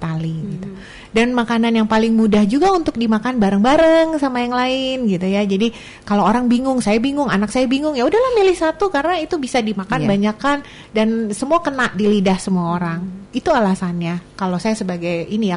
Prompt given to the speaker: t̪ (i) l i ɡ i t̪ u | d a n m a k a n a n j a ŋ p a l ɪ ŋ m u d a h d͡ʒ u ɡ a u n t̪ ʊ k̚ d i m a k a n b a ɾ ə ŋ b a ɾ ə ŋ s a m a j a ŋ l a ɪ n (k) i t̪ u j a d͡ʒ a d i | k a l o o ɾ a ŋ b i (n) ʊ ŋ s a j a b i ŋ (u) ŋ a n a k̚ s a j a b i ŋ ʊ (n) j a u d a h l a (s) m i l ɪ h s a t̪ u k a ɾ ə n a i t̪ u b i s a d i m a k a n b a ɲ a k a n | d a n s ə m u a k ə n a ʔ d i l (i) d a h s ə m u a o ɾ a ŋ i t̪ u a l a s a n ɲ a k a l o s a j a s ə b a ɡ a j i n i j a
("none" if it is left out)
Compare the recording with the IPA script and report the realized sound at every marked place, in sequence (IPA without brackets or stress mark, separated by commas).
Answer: a, ɡ, ŋ, ʊ, ŋ, h, i